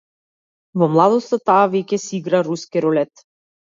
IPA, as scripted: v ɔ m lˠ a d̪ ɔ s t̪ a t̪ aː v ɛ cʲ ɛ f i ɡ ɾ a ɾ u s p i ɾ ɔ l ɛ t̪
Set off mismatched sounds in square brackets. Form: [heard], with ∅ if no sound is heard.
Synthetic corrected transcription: v ɔ m lˠ a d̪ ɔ s t̪ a t̪ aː v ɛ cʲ ɛ [s] i ɡ ɾ a ɾ u s [k] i ɾ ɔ l ɛ t̪